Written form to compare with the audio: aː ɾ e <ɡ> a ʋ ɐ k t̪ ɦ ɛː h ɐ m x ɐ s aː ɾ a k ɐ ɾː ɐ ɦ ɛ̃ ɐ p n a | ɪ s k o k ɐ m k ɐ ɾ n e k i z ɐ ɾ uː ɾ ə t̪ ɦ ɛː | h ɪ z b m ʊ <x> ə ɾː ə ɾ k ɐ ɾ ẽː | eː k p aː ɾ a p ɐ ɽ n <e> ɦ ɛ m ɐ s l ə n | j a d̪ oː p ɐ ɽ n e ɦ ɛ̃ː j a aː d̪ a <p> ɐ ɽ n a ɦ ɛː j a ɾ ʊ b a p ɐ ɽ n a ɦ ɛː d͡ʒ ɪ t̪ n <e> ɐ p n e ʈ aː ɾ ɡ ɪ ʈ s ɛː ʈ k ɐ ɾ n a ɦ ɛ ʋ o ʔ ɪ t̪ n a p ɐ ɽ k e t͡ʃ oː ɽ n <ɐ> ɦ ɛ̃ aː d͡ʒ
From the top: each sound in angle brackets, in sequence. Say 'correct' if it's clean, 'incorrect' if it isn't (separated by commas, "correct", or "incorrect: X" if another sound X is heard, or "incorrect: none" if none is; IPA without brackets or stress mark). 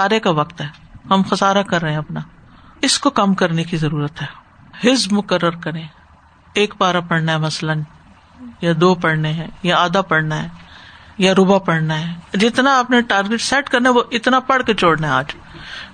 incorrect: k, incorrect: k, incorrect: a, correct, incorrect: a, incorrect: a